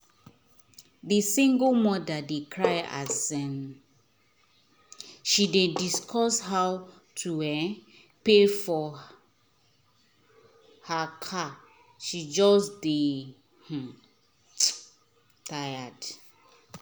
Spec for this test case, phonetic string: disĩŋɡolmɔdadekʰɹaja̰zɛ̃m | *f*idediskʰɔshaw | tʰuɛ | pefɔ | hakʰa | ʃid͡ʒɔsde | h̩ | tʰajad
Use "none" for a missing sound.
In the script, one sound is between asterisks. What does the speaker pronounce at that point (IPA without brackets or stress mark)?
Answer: ʃ